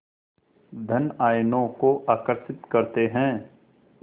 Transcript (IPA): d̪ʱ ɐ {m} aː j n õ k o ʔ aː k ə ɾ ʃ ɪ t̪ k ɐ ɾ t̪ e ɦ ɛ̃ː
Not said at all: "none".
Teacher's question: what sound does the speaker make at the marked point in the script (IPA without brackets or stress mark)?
n